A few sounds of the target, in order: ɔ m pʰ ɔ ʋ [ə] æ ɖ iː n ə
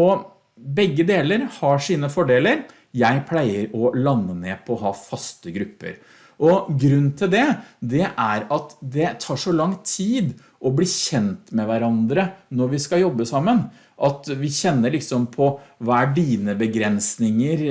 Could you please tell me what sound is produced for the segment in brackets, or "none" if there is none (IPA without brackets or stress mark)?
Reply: ɑ